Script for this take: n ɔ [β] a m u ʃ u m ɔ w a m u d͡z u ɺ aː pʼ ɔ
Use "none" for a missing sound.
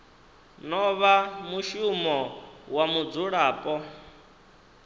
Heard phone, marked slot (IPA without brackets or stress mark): β